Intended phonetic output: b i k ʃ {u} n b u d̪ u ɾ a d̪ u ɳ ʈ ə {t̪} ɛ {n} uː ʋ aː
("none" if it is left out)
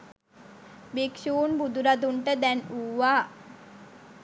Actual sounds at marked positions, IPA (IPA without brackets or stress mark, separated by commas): uː, d̪, n